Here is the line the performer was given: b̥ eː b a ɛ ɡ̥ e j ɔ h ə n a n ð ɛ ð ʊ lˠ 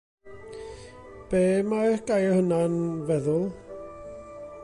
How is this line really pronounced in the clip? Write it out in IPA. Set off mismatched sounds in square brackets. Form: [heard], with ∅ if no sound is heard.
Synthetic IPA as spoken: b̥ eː [m] a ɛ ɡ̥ [a] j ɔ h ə n a n [v] ɛ ð ʊ lˠ